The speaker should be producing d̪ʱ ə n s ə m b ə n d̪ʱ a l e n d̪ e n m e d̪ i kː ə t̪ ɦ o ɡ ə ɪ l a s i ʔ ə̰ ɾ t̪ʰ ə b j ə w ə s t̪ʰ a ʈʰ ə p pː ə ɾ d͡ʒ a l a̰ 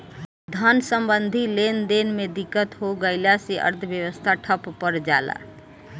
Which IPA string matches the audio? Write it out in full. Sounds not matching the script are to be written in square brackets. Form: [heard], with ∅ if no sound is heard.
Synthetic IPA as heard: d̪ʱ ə n s ə m b ə n d̪ʱ [i] l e n d̪ e n m e d̪ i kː ə t̪ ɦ o ɡ ə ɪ l a s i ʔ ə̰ ɾ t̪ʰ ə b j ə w ə s t̪ʰ a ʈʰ ə p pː ə ɾ d͡ʒ a l a̰

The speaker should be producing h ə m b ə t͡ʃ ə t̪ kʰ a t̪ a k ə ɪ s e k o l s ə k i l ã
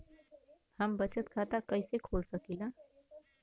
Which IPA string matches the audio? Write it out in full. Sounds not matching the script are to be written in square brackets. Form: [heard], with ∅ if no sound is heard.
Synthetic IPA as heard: h ə m b ə t͡ʃ ə t̪ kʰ a t̪ a k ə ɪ s e [kʰ] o l s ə k i l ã

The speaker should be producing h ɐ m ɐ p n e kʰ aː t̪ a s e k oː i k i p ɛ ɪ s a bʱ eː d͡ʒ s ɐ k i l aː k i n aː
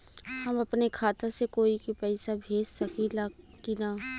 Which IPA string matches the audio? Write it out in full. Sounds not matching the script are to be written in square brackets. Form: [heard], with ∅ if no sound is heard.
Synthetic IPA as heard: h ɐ m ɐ p n e kʰ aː t̪ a s e k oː i k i p ɛ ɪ s a bʱ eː d͡ʒ s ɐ k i l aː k i n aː

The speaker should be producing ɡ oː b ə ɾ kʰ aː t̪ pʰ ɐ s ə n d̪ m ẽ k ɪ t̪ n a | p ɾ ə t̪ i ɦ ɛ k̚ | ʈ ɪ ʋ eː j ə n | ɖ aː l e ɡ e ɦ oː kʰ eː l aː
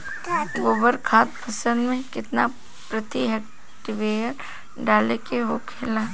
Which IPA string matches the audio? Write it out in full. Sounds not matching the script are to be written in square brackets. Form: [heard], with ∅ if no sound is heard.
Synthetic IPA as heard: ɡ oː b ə ɾ kʰ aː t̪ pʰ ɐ s ə n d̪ m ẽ k ɪ t̪ n a | p ɾ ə t̪ i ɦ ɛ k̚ | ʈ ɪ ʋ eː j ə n | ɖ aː l e [k] e ɦ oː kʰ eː l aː

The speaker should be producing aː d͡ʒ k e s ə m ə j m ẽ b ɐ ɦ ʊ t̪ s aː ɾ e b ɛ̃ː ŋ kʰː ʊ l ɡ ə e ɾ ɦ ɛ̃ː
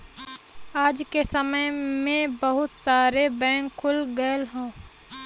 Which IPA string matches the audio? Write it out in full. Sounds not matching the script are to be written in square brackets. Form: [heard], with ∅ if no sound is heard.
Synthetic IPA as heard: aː d͡ʒ k e s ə m ə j m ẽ b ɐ ɦ ʊ t̪ s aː ɾ e b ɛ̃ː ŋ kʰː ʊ l ɡ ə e [l] ɦ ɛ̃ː

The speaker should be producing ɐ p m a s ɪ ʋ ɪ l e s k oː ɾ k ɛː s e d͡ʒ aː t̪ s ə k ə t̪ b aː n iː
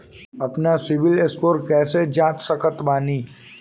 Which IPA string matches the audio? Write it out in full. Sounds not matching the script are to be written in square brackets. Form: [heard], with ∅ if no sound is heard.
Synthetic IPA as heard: ɐ p [n] a s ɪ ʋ ɪ l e s k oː ɾ k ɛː s e d͡ʒ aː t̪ s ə k ə t̪ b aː n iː

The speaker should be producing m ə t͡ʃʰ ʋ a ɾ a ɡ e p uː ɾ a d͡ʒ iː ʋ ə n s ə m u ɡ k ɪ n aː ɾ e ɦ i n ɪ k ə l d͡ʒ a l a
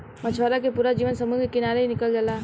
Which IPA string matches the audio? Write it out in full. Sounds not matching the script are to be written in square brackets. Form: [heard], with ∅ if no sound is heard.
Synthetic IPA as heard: m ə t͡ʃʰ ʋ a ɾ a [k] e p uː ɾ a d͡ʒ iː ʋ ə n s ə m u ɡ k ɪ n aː ɾ e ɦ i n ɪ k ə l d͡ʒ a l a

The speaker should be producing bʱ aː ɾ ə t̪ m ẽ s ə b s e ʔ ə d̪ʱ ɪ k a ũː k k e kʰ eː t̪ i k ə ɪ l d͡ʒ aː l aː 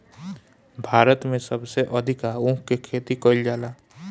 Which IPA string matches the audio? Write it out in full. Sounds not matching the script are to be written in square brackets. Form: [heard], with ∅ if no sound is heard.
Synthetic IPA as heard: bʱ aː ɾ ə t̪ m ẽ s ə b s e ʔ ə d̪ʱ ɪ k a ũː k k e kʰ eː t̪ i k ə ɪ l d͡ʒ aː l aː

